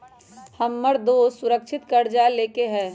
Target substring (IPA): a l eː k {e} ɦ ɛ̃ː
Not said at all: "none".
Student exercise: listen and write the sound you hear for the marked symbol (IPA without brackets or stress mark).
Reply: e